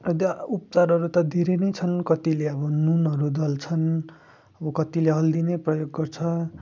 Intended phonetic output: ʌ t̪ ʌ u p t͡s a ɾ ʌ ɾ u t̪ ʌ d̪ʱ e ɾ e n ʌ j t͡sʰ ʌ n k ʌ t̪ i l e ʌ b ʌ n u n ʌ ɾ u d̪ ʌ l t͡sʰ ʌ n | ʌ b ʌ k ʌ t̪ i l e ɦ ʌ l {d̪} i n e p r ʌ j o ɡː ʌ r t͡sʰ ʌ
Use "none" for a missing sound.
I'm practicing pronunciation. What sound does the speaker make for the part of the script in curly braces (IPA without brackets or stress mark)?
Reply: d̪